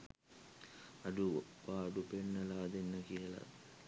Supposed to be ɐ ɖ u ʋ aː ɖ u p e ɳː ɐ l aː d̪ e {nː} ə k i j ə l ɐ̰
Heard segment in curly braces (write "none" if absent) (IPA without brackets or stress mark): nː